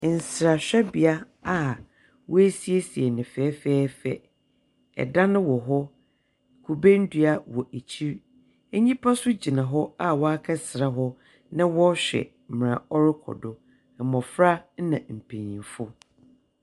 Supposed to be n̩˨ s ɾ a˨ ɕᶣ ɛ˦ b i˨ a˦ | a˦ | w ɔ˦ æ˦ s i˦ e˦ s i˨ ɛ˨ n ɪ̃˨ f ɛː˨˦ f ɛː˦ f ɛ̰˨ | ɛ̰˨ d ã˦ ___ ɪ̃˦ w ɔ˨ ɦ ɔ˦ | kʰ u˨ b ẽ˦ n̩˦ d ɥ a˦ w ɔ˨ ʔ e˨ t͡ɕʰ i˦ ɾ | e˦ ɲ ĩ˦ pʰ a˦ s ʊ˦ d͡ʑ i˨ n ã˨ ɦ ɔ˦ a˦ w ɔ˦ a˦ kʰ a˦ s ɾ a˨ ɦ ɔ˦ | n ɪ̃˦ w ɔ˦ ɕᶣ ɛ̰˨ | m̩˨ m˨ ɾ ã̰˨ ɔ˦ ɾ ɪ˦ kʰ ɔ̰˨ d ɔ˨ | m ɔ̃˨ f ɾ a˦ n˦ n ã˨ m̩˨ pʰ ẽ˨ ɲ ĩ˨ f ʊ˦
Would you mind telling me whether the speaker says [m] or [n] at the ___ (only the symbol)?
n